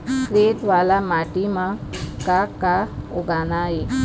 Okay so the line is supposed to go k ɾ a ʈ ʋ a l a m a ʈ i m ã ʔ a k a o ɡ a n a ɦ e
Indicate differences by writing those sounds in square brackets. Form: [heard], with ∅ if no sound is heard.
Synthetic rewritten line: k ɾ [e] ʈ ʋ a l a m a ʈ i m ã [k] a k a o ɡ a n a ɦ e